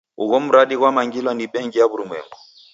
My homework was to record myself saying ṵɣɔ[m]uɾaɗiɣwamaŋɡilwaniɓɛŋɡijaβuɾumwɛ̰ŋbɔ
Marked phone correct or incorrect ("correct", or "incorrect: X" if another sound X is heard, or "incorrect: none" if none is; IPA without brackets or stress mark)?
correct